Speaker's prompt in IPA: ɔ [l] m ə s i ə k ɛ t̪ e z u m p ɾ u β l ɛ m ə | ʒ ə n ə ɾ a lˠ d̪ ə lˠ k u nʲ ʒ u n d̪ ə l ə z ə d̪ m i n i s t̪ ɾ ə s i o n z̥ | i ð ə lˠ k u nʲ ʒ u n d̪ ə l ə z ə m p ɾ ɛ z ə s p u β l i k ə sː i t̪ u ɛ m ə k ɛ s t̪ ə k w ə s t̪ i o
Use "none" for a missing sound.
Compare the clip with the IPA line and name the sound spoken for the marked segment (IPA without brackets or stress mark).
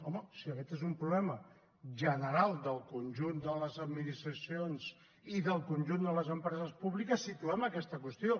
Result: none